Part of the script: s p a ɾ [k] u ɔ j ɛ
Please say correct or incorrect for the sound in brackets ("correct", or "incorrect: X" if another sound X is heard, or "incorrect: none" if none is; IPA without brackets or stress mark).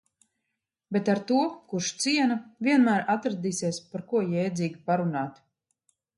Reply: correct